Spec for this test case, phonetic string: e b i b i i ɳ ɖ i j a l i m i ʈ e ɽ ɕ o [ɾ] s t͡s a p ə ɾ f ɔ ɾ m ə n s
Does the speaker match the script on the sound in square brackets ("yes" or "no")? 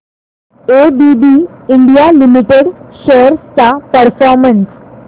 yes